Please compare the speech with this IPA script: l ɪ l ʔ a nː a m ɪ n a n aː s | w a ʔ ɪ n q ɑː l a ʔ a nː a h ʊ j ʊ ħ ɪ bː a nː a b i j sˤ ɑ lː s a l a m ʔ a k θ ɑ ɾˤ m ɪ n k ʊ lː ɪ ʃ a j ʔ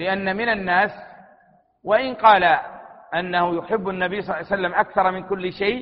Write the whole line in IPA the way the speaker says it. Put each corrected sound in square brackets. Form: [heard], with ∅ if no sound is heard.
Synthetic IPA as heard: l ɪ [∅] ʔ a nː a m ɪ n a [nː] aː s | w a ʔ ɪ n q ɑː l a ʔ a nː a h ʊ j ʊ ħ ɪ bː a nː a b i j sˤ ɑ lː s a [lː] a m ʔ a k θ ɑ ɾˤ m ɪ n k ʊ lː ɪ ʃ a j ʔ